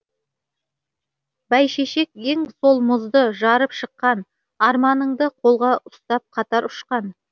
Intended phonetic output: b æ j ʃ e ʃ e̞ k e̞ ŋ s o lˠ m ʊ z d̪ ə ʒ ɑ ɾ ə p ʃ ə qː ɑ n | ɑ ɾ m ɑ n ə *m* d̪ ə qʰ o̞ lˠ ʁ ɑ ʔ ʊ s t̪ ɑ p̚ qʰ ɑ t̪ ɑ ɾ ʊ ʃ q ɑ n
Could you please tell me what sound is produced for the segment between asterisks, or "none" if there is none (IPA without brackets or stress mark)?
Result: ɴ